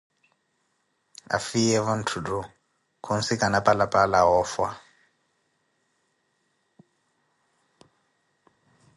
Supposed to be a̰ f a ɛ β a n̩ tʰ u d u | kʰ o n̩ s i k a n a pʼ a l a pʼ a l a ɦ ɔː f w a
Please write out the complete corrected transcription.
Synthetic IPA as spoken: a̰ f i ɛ β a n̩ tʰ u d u | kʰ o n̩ s i k a n a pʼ a l a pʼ a l a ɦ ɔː f w a